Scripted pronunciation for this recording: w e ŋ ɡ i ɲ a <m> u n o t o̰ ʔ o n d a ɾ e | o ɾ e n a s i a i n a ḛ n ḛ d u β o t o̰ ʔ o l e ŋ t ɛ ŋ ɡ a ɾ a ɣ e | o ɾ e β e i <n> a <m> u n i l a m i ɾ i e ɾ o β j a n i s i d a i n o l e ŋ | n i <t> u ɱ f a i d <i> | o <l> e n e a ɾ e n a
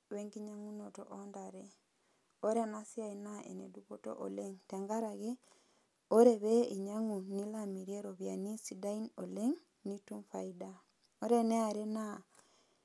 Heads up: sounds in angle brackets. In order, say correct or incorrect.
incorrect, incorrect, incorrect, correct, incorrect, incorrect

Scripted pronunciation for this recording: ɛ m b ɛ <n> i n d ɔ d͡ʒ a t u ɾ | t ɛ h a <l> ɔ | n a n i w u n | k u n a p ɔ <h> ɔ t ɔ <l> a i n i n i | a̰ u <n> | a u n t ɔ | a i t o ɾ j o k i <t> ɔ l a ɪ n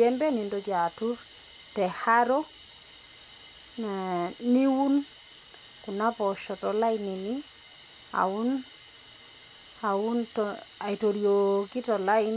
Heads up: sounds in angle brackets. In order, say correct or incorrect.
correct, incorrect, incorrect, correct, correct, correct

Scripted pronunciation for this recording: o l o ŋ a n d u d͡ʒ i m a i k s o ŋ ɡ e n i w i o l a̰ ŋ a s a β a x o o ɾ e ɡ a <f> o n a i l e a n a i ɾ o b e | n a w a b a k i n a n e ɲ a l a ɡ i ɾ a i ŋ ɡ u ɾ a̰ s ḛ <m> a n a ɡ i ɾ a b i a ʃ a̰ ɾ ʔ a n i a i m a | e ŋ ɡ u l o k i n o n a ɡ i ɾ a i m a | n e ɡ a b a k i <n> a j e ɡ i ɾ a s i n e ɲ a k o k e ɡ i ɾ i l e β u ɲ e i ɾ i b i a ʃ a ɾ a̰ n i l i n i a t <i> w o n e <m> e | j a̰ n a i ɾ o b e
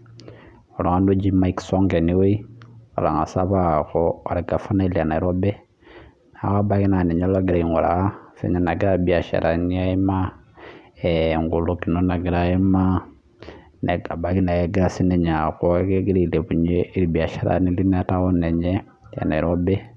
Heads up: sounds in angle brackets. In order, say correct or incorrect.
correct, incorrect, correct, incorrect, incorrect

